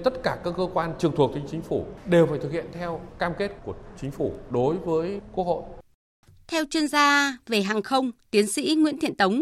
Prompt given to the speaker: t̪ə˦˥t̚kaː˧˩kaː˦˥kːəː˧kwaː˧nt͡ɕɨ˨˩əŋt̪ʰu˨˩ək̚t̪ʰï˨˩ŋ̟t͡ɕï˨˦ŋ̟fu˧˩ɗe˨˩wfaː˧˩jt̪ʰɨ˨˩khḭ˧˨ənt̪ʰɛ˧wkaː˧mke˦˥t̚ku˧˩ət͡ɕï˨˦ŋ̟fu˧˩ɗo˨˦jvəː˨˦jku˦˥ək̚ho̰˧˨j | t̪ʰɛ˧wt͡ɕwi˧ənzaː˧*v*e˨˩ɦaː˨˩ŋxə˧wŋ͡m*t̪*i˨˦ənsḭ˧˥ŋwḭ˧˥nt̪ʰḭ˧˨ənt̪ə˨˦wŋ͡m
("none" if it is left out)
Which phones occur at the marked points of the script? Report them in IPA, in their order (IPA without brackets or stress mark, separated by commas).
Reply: v, t̪